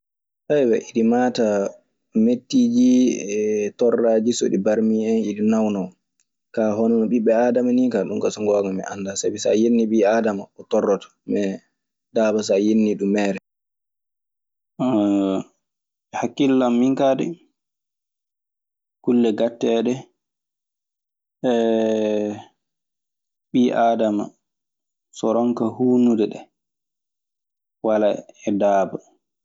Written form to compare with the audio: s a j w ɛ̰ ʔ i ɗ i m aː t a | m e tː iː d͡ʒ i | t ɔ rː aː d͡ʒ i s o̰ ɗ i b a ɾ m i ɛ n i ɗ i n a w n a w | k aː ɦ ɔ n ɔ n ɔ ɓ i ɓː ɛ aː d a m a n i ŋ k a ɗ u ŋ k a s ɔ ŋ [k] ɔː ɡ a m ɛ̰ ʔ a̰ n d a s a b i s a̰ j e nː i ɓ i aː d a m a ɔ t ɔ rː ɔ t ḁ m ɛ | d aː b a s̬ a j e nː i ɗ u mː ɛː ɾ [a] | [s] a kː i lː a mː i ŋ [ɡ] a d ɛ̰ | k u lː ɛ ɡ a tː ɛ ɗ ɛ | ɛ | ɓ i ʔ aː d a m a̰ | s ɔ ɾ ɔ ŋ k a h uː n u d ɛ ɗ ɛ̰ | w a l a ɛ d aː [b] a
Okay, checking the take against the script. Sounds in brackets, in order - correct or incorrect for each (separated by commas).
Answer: incorrect, incorrect, incorrect, incorrect, correct